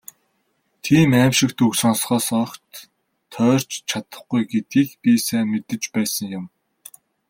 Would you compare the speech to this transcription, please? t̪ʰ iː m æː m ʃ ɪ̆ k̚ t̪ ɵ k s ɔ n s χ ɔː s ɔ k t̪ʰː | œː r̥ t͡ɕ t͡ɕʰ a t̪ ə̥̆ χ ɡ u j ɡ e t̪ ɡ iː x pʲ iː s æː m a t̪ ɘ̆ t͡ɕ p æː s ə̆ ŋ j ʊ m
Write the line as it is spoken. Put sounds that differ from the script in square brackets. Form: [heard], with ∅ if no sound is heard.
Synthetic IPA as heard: t̪ʰ iː m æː m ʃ ɪ̆ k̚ t̪ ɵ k s ɔ n s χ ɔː s ɔ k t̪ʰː | œː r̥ t͡ɕ t͡ɕʰ a t̪ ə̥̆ χ ɡ u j ɡ e t̪ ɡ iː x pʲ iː s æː m [e] t̪ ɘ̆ t͡ɕ p æː s ə̆ ŋ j ʊ m